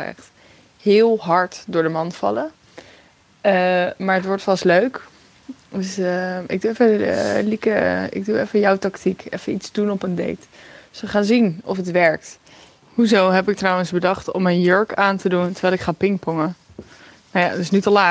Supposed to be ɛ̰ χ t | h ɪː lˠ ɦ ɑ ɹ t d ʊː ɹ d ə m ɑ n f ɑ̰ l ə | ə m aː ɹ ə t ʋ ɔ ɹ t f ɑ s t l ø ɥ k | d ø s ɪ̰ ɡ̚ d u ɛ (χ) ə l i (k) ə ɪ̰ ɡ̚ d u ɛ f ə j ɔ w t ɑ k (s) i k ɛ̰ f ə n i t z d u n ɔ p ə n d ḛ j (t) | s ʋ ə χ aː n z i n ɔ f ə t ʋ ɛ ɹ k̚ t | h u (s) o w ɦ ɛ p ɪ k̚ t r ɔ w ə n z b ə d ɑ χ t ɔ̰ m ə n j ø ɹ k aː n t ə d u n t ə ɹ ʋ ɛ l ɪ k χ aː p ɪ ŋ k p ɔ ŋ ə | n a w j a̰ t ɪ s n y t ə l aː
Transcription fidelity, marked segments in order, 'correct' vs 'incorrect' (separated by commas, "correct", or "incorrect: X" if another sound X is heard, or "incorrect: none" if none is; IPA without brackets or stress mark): incorrect: f, correct, incorrect: t, correct, incorrect: z